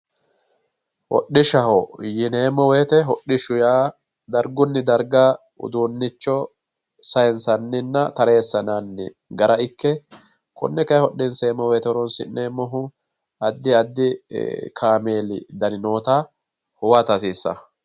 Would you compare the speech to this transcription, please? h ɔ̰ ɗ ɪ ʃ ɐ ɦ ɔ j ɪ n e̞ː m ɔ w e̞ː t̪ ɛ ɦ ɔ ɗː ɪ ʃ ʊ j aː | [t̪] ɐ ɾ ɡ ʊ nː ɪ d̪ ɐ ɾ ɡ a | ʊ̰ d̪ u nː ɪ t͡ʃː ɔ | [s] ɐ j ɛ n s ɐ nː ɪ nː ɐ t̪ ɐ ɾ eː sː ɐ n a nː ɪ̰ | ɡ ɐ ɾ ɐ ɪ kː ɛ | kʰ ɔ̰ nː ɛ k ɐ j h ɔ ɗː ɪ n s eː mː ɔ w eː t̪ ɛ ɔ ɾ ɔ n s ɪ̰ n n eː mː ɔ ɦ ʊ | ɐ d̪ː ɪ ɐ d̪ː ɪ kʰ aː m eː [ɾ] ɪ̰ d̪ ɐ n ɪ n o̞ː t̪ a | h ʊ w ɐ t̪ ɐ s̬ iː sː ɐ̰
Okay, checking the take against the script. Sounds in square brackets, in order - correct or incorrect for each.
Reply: incorrect: d̪, correct, incorrect: l

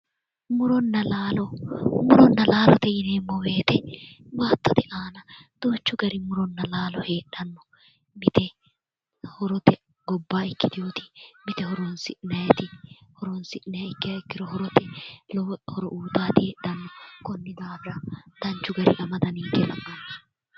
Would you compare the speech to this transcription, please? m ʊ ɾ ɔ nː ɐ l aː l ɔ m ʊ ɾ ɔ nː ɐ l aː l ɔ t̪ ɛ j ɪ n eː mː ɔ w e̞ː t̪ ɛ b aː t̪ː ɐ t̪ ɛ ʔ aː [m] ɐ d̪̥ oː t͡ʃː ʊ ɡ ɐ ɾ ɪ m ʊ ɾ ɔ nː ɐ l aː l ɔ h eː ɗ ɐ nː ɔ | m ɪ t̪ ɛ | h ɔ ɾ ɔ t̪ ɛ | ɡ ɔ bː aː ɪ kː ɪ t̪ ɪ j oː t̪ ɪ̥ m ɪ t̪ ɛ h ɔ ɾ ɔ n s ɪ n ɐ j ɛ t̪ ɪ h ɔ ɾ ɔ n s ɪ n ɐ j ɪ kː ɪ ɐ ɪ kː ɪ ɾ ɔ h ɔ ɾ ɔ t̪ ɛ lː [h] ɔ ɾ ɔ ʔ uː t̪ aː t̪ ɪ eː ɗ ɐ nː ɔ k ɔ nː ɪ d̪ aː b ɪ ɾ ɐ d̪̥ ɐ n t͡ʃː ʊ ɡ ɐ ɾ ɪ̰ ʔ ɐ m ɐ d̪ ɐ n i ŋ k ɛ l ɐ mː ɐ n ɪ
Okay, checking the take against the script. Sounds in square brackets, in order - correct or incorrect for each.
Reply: incorrect: n, correct

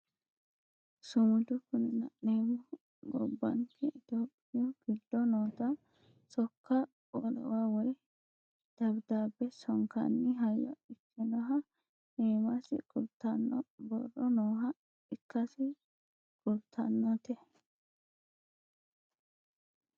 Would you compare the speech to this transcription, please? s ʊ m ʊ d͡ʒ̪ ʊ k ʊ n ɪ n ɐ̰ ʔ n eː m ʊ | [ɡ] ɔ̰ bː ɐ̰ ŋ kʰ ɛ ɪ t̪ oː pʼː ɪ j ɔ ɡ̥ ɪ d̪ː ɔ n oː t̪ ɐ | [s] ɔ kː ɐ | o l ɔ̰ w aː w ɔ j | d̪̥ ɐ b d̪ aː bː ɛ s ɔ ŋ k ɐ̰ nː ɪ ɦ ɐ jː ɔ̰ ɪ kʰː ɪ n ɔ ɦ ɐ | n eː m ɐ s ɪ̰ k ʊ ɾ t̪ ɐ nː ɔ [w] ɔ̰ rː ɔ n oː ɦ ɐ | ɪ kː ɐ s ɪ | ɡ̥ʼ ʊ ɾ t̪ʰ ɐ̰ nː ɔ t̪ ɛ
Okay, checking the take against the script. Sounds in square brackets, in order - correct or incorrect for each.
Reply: correct, correct, incorrect: b

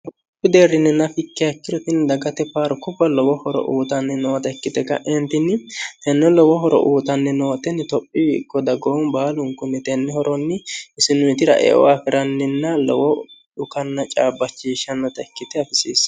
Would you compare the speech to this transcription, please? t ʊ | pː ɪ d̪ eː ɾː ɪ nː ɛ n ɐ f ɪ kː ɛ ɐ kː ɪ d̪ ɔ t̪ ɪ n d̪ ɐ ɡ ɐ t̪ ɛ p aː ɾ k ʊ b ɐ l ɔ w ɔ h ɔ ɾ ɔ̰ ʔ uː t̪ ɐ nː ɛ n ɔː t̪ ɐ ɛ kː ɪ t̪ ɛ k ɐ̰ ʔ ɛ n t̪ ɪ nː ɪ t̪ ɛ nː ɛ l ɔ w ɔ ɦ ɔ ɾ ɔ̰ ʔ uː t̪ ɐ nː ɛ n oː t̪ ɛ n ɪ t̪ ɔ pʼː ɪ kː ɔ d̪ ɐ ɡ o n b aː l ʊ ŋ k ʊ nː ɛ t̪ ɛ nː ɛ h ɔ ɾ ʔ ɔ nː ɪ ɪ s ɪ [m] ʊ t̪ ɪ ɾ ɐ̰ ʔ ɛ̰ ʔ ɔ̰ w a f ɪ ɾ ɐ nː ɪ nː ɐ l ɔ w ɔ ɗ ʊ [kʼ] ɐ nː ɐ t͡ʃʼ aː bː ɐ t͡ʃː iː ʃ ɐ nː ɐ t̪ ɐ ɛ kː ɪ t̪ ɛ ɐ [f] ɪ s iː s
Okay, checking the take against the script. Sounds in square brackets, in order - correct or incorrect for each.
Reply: incorrect: n, incorrect: k, correct

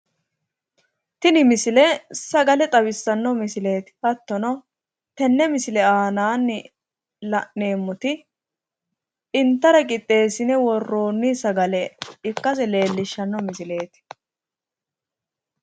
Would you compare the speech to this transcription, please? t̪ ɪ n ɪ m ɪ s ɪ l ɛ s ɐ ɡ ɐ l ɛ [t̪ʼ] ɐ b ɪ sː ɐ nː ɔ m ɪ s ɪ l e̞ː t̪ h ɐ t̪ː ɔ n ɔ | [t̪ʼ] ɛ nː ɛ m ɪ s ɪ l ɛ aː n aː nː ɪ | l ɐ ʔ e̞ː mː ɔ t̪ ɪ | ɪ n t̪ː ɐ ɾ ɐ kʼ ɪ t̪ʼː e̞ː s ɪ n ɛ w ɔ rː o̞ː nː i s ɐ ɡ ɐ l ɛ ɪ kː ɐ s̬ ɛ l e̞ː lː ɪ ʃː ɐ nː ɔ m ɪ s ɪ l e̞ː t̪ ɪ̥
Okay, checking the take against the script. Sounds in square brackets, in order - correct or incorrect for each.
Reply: correct, incorrect: t̪

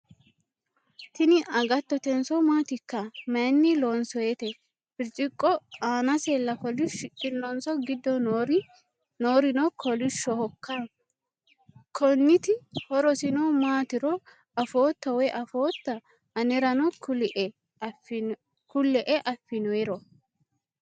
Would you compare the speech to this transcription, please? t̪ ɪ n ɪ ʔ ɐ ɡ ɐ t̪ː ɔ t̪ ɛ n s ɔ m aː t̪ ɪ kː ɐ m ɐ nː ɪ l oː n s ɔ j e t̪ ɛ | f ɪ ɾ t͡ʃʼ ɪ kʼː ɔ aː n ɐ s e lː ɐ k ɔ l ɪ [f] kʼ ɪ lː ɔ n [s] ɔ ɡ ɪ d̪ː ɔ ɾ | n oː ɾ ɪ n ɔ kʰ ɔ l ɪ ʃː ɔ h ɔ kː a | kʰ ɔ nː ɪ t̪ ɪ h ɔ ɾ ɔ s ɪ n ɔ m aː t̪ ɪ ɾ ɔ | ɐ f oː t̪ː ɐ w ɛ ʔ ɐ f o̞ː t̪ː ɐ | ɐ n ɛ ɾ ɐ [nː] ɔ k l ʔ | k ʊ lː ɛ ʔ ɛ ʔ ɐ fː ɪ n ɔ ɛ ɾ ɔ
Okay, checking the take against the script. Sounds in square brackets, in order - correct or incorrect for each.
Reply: incorrect: ʃ, correct, incorrect: n

